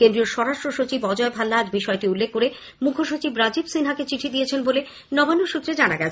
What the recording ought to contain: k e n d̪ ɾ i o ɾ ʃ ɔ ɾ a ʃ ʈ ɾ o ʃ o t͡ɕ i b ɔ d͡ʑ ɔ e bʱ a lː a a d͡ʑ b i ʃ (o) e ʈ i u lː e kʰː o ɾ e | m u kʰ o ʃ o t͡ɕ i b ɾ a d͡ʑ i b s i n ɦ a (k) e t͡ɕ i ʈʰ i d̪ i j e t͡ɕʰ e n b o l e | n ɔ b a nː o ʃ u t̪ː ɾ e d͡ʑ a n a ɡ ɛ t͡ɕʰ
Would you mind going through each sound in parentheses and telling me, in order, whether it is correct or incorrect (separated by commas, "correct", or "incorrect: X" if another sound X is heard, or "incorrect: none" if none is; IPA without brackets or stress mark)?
incorrect: ɔ, correct